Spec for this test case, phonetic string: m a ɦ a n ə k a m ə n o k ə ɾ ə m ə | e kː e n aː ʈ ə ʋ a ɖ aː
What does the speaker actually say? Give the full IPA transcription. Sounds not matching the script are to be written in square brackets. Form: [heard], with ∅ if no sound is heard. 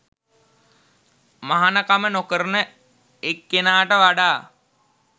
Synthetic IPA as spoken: m a ɦ a n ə k a m ə n o k ə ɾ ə [n] ə | e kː e n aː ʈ ə ʋ a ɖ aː